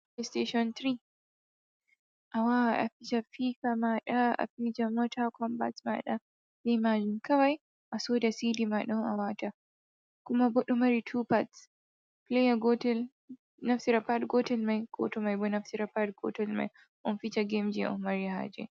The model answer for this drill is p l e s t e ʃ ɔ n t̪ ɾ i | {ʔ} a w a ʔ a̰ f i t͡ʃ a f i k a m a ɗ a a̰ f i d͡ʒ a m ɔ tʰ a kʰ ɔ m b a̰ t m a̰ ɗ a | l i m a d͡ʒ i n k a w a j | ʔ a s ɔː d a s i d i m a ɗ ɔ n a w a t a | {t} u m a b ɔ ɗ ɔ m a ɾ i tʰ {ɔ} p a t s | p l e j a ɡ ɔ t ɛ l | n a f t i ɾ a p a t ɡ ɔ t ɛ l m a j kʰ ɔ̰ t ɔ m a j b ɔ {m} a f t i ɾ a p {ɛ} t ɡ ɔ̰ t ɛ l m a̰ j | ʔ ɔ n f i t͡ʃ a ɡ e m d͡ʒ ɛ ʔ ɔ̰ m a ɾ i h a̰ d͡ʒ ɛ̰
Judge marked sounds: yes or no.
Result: yes, no, no, no, no

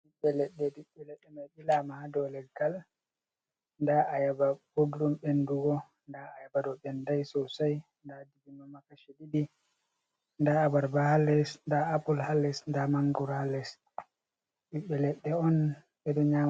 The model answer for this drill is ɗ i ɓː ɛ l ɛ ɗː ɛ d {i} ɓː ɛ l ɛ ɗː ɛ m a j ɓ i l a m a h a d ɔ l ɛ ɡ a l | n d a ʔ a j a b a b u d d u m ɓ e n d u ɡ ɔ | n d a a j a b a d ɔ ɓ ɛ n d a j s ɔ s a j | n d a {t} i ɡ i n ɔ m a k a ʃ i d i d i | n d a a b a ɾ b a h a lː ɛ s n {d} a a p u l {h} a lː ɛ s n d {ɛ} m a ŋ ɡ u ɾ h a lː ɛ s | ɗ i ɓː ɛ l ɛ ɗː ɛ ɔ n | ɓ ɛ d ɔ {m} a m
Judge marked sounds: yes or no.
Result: yes, no, yes, yes, no, no

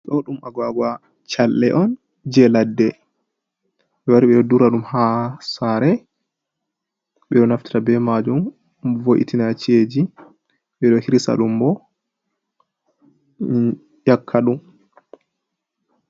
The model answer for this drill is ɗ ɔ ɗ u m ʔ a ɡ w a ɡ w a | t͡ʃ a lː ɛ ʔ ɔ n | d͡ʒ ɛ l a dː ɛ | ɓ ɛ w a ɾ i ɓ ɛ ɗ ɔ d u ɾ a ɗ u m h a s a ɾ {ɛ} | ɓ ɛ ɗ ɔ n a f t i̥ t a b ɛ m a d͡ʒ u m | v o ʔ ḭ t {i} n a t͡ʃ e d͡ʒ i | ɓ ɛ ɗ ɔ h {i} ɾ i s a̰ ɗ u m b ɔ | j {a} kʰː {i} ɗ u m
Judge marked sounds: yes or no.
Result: yes, yes, yes, yes, no

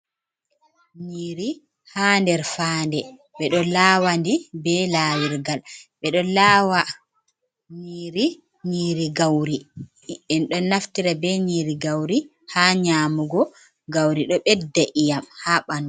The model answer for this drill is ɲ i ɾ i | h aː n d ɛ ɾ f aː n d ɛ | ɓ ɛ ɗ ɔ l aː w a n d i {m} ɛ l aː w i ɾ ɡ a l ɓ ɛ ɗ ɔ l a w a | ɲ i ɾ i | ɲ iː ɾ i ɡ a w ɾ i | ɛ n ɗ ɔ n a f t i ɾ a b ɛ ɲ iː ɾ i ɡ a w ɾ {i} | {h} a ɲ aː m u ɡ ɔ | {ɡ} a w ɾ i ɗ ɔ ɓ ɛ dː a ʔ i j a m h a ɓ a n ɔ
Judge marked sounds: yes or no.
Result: no, yes, yes, yes

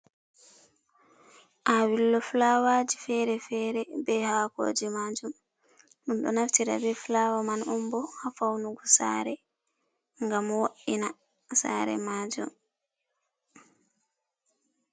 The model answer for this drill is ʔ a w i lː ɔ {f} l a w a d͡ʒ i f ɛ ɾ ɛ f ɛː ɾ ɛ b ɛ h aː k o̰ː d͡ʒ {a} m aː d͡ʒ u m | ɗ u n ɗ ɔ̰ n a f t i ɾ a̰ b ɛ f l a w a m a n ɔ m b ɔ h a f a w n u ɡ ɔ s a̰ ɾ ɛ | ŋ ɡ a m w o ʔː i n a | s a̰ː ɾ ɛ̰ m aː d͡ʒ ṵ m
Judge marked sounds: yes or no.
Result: yes, no

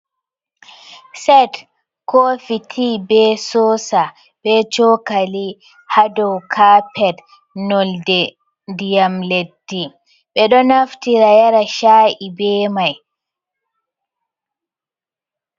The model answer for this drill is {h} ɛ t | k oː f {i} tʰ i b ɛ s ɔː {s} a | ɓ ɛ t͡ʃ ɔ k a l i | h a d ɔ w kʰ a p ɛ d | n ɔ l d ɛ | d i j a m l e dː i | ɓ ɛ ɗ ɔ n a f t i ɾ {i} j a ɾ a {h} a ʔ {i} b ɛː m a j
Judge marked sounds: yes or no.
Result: no, yes, yes, no, no, yes

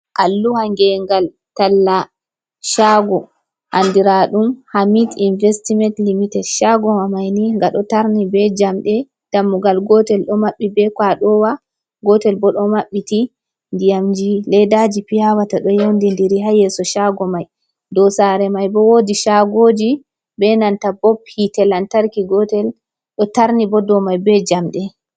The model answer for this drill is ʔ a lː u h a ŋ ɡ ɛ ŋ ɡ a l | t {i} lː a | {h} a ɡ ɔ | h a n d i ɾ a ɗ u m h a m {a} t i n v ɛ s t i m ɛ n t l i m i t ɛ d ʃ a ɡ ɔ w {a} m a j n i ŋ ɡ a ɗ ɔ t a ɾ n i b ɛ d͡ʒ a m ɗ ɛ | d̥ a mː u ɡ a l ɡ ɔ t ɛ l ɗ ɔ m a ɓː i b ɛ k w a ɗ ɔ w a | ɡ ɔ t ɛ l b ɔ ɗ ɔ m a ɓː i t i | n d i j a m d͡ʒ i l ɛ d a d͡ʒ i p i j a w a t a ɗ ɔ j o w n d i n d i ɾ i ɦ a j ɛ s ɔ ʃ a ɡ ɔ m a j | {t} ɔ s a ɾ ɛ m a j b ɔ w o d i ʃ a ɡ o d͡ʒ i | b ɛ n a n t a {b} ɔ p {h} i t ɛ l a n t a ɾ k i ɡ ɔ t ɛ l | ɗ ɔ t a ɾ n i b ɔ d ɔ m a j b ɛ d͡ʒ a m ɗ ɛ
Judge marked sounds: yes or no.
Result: no, no, no, yes, no, yes, yes

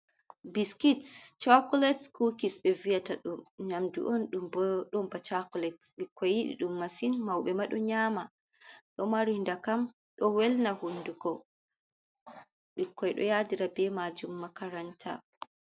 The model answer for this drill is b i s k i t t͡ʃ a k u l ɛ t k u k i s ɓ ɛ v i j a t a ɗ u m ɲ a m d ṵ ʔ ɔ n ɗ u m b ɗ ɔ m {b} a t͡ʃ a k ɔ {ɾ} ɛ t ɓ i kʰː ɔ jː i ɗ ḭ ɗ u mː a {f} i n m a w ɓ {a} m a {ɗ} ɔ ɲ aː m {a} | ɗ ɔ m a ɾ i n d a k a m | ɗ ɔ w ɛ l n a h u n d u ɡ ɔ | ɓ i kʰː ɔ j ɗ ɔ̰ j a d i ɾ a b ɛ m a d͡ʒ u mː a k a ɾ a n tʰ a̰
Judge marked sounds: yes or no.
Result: yes, no, no, no, yes, yes

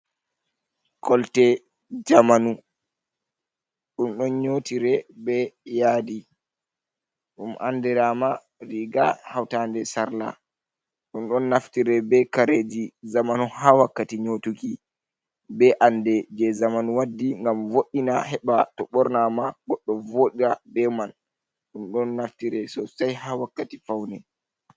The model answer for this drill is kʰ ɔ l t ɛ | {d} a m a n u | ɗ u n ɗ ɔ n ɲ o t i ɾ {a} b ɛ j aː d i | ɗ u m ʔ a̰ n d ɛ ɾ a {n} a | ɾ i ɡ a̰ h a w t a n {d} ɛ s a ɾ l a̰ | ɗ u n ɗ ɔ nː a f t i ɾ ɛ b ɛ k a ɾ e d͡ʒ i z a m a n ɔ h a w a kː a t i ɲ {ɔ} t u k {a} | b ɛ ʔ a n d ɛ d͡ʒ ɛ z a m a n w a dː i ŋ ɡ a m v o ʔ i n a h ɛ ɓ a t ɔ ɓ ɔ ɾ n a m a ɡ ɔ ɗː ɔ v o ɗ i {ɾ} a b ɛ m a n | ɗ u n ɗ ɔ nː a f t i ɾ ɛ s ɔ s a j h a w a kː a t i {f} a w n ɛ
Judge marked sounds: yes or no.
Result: no, no, no, yes, no, no, yes, yes

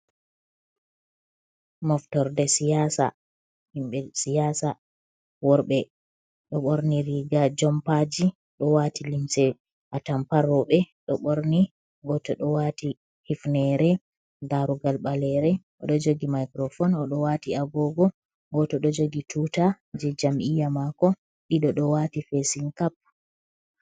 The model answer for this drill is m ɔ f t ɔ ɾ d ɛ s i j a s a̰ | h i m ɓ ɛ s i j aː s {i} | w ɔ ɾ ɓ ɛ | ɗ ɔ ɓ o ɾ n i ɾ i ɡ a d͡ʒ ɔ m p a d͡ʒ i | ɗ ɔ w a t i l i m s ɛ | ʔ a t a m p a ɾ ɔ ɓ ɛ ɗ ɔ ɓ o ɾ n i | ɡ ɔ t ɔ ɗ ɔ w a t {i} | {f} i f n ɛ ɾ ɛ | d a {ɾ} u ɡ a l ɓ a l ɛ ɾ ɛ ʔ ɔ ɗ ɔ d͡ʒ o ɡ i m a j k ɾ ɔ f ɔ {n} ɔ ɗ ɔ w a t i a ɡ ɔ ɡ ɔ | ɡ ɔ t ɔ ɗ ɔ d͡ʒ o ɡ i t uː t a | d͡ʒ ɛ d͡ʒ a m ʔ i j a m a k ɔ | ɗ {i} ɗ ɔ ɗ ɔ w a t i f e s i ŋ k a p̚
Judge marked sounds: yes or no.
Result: no, yes, no, yes, yes, yes

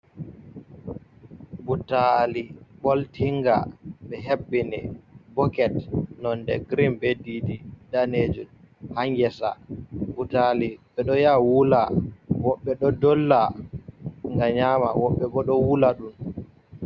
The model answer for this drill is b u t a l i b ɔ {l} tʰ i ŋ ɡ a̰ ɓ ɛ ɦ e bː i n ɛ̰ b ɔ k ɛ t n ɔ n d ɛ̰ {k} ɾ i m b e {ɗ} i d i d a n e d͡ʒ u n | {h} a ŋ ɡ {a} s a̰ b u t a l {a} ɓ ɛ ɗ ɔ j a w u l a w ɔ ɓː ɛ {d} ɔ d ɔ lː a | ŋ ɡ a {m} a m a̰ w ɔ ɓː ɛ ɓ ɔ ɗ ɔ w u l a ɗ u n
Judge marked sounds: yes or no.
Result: yes, no, no, yes, no, no, no, no

